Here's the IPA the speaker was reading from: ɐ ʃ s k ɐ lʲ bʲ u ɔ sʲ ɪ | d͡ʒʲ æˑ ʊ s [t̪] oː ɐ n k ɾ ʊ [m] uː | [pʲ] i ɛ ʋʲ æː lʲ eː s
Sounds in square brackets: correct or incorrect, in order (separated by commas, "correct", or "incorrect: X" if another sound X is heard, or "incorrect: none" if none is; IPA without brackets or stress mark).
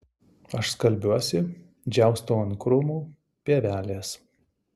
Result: correct, correct, correct